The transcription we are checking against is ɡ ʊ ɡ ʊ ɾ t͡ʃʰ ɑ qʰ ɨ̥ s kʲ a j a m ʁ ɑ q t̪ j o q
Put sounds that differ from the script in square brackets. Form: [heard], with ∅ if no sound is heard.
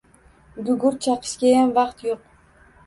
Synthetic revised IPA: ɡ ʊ ɡ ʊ ɾ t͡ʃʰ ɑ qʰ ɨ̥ [ʃ] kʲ a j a m [v] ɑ q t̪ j o q